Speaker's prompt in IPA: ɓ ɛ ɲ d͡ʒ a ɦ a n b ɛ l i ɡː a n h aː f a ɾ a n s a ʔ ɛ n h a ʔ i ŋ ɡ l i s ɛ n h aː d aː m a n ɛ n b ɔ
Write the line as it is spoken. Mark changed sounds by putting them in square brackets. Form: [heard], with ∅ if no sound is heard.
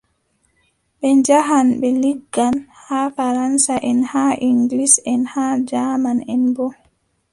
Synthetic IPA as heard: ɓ ɛ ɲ d͡ʒ a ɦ a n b ɛ l i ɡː a n h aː f a ɾ a n s a ʔ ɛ n h a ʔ i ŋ ɡ l i s ɛ n h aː [d͡ʒ] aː m a n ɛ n b ɔ